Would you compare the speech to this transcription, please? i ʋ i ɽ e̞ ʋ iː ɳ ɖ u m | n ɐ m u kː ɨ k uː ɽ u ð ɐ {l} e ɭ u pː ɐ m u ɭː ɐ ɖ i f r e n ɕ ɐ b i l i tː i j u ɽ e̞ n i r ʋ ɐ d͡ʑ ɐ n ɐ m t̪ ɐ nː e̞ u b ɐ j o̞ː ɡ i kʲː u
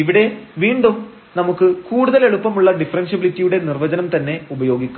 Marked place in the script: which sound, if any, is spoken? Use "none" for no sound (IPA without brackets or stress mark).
l